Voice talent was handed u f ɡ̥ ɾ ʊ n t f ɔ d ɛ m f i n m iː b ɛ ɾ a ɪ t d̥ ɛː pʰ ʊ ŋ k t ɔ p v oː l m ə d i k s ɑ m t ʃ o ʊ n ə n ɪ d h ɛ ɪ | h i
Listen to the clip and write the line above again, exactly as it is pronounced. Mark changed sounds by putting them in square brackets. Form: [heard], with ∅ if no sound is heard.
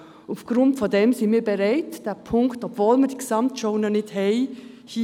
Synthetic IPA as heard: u f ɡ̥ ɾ ʊ n t f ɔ d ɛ m [s] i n m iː b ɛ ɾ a ɪ t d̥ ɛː pʰ ʊ ŋ k t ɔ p v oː l m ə d i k s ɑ m t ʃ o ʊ n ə n ɪ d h ɛ ɪ | h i